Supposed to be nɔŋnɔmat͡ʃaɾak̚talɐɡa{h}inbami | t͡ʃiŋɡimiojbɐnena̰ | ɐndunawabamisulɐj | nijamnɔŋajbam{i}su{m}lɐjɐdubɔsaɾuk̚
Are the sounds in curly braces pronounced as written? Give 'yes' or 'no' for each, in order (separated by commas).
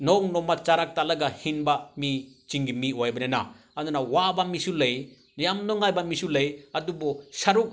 yes, yes, no